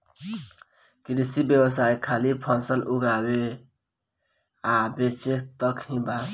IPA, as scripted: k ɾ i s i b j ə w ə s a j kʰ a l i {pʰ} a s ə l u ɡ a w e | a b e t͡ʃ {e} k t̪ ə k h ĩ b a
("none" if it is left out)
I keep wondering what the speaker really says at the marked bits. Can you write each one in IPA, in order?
pʰ, e

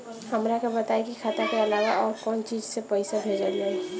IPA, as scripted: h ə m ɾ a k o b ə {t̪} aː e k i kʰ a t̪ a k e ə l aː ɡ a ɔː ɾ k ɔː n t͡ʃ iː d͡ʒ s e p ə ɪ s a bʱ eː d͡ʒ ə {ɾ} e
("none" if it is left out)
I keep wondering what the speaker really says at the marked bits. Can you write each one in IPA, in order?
t̪, l

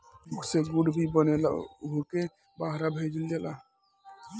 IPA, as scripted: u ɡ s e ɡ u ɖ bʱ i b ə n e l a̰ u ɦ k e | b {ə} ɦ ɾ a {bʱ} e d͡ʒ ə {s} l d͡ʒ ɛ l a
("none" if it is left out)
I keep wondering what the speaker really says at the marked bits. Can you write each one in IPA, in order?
a, bʱ, none

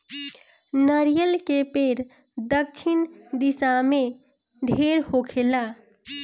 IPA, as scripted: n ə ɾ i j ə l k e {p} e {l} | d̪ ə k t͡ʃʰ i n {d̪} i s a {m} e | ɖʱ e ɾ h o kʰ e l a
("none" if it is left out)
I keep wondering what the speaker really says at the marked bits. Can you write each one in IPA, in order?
p, ɾ, d̪, m

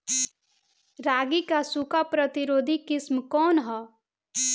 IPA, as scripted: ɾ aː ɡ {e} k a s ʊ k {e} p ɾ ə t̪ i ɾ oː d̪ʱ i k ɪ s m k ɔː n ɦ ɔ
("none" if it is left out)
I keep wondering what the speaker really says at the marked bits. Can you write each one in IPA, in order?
i, a

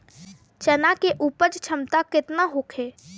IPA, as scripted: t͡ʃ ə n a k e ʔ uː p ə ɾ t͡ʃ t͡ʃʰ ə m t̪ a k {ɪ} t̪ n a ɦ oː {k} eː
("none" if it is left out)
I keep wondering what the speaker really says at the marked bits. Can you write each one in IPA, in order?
ɪ, kʰ

